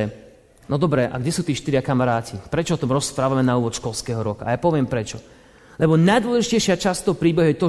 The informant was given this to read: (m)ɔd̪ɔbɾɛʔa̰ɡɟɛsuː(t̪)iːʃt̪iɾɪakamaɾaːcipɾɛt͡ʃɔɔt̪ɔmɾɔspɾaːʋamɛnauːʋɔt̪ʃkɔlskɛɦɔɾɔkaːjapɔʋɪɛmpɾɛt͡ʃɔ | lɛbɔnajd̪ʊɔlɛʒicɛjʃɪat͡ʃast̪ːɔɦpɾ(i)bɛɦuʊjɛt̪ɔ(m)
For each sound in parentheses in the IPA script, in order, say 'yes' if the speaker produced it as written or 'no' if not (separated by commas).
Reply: no, yes, no, no